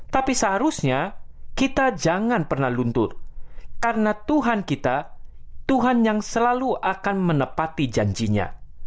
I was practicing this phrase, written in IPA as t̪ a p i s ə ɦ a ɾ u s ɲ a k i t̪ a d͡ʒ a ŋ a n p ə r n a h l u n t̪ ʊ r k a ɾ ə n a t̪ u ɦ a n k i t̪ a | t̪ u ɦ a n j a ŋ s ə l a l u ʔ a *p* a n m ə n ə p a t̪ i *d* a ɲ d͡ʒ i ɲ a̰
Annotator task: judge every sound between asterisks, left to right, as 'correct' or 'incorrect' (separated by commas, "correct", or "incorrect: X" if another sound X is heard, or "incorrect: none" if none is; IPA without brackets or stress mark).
incorrect: k, incorrect: d͡ʒ